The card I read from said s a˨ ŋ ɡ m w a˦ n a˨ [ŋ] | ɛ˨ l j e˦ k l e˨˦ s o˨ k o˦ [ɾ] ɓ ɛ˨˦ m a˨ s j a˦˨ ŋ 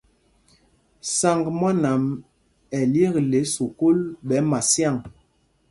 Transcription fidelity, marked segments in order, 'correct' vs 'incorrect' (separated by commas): incorrect, incorrect